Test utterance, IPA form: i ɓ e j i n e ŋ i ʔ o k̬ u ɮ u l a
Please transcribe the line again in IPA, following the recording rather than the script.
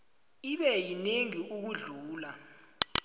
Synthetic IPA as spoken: i ɓ ɛ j i n e ŋ i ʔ u k̬ u ɮ uː l a